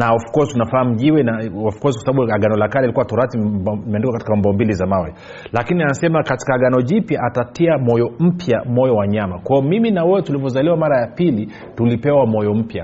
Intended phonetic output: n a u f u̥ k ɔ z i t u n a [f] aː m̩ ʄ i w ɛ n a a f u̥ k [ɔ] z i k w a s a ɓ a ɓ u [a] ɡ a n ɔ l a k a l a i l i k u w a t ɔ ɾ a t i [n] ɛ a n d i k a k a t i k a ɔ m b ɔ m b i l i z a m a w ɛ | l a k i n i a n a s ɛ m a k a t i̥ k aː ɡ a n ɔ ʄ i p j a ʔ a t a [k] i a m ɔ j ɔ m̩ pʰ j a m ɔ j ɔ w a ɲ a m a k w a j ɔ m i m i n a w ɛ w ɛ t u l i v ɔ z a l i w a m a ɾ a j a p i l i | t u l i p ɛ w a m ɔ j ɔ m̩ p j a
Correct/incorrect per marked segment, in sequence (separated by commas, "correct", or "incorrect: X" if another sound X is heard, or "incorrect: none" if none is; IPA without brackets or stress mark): correct, correct, correct, incorrect: m, incorrect: t